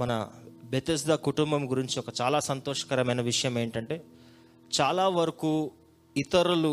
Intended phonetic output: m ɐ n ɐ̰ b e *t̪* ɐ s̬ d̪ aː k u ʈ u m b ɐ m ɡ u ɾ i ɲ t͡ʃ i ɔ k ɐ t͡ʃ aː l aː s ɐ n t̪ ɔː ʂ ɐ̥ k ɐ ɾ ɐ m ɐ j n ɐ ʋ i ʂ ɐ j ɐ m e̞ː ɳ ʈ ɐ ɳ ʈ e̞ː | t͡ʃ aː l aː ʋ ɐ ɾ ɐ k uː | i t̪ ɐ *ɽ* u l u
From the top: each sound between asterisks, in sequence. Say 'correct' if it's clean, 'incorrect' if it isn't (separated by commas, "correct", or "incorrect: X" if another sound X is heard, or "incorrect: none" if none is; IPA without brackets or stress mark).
correct, incorrect: ɾ